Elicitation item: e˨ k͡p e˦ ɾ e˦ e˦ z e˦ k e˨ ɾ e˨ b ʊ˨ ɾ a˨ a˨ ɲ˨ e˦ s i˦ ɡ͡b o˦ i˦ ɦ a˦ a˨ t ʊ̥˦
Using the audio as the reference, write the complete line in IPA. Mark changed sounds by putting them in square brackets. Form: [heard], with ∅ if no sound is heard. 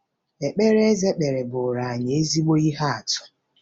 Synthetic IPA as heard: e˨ k͡p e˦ ɾ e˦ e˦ z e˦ [k͡p] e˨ ɾ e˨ b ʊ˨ ɾ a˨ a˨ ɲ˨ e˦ [z] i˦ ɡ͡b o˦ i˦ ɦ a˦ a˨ t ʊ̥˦